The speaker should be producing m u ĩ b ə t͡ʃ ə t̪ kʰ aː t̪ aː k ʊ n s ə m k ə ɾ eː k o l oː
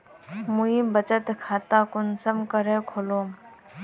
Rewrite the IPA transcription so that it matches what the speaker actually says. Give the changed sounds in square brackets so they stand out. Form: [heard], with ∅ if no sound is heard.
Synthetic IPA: m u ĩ b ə t͡ʃ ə t̪ kʰ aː t̪ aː k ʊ n s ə m k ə ɾ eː [kʰ] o l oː